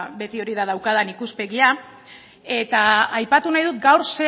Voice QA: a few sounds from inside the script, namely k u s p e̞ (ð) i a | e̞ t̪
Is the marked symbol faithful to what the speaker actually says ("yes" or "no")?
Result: no